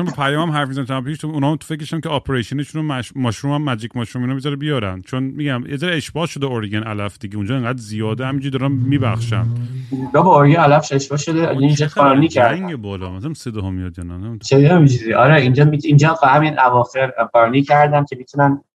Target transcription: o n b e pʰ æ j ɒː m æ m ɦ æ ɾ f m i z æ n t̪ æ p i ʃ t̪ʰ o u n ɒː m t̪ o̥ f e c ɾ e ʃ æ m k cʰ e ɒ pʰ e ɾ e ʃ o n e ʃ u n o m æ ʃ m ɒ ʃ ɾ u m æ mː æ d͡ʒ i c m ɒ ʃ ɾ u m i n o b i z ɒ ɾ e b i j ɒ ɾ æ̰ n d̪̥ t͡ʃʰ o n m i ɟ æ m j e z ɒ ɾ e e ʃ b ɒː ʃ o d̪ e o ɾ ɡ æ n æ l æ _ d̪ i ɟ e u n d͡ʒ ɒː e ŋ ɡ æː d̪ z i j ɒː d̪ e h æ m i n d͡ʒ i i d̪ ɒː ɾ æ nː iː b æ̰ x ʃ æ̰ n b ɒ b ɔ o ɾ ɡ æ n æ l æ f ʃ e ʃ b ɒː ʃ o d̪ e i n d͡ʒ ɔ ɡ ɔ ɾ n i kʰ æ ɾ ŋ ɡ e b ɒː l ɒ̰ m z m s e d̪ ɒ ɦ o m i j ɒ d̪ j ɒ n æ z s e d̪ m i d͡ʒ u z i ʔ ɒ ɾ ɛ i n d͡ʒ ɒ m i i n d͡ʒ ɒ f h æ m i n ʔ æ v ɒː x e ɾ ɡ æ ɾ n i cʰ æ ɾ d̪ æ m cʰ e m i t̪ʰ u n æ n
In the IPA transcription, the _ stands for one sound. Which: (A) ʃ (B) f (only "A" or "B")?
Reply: B